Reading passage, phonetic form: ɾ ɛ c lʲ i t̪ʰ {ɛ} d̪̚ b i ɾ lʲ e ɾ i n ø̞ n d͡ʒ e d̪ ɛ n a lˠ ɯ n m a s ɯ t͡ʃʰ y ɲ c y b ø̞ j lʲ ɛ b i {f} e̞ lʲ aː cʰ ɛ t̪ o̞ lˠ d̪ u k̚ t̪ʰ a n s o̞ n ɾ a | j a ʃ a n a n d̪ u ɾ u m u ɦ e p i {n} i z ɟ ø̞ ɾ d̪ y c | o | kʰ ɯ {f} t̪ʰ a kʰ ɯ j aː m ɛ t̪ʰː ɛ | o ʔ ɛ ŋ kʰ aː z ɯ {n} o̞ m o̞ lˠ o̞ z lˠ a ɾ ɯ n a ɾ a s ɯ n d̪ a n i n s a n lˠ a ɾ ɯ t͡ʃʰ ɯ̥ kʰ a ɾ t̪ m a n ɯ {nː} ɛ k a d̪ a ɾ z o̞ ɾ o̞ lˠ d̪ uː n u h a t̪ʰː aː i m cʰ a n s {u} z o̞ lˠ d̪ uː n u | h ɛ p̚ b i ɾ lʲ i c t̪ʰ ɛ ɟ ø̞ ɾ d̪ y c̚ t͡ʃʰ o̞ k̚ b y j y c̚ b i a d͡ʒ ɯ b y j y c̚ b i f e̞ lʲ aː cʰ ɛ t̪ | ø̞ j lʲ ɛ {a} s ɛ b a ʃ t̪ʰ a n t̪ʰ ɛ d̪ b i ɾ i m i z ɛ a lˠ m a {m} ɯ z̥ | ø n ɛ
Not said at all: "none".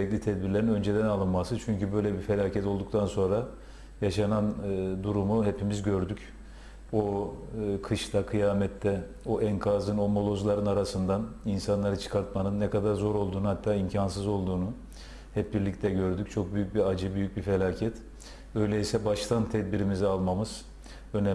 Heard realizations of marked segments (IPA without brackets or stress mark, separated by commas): ɛ, f, m, ʃ, n, nː, ɯ, i, m